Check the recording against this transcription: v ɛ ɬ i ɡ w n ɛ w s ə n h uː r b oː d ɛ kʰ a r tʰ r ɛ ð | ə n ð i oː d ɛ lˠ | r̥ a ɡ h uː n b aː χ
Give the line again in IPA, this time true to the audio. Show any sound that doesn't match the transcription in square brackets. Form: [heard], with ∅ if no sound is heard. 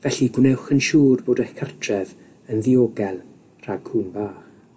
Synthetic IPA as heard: v ɛ ɬ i ɡ w n ɛ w [χ] ə n [ʃ] uː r b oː d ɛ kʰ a r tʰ r ɛ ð | ə n ð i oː [ɡ] ɛ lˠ | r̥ a ɡ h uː n b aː χ